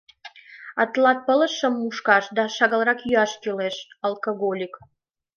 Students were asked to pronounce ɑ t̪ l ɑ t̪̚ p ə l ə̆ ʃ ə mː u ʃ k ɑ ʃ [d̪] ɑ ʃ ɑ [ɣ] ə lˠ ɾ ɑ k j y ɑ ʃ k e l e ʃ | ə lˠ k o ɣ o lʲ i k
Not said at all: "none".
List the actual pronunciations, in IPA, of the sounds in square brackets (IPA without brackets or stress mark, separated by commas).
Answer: d̪, ɣ